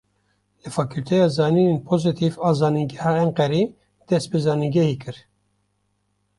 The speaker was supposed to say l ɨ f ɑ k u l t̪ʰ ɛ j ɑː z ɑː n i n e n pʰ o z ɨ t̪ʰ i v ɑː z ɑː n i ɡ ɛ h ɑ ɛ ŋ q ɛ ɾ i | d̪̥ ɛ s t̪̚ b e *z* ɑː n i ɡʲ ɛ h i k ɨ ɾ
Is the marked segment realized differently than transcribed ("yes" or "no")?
no